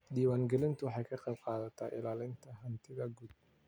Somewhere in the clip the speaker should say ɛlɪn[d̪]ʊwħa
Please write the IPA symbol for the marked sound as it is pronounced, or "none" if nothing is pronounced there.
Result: t̪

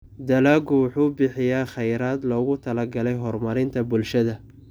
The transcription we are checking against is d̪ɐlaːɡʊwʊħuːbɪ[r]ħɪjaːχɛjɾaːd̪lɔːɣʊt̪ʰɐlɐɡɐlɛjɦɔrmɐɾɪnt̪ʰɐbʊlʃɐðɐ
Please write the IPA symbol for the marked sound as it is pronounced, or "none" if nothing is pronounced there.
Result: none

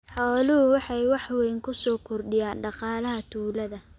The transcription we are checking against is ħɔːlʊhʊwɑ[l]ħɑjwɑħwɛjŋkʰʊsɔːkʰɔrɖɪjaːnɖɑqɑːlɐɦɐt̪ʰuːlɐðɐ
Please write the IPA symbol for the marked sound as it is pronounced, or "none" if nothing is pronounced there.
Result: none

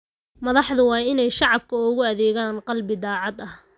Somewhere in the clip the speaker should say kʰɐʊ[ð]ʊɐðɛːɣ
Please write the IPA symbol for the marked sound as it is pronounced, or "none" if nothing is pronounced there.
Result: ɣ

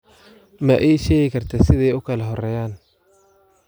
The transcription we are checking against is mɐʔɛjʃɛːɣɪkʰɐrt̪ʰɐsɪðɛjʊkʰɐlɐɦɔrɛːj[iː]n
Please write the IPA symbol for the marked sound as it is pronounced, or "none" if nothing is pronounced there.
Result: aː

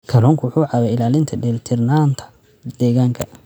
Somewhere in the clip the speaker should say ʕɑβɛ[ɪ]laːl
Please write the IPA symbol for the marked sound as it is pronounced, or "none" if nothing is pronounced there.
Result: ɪ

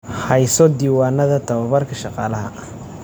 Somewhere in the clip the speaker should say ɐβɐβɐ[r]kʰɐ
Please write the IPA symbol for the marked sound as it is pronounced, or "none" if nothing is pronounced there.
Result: r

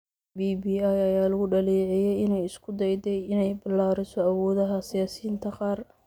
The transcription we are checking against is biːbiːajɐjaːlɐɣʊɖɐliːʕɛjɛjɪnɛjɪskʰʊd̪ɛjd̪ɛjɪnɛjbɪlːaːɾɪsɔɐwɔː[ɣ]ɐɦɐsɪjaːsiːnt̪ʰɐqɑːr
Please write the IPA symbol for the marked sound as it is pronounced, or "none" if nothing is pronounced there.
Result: ð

